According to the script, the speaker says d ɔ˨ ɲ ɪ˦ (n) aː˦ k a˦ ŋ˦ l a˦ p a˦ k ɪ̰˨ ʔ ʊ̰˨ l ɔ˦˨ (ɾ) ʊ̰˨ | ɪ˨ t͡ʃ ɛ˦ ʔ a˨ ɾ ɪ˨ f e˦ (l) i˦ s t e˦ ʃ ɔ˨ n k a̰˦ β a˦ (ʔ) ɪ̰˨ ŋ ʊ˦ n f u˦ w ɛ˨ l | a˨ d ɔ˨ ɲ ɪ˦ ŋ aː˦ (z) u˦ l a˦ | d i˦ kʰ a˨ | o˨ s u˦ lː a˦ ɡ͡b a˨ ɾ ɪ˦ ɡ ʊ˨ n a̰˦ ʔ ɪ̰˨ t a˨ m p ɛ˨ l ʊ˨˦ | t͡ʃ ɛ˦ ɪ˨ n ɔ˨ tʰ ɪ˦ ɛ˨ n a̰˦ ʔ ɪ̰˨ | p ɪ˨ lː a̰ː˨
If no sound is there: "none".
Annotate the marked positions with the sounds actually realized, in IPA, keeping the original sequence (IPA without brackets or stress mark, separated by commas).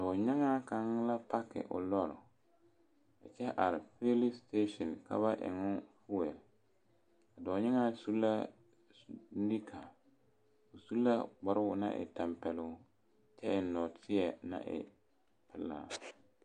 ŋ, ɾ, l, ʔ, s